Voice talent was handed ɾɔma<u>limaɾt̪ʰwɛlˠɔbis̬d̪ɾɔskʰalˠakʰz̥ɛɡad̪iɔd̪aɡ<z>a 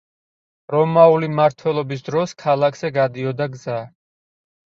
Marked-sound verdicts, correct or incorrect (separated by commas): correct, correct